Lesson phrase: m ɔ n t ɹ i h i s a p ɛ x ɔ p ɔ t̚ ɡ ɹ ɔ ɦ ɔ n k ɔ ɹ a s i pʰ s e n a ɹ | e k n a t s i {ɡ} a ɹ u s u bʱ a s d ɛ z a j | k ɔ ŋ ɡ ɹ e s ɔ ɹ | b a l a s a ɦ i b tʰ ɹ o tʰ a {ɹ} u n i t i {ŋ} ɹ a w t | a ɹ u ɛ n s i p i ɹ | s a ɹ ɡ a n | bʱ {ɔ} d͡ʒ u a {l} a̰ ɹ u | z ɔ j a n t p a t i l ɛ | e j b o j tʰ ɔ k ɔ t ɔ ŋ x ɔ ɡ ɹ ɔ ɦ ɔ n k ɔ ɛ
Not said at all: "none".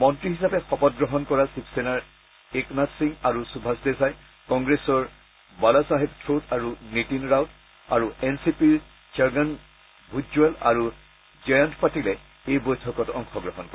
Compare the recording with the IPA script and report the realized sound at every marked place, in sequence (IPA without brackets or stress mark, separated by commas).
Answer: ŋ, ɹ, n, u, l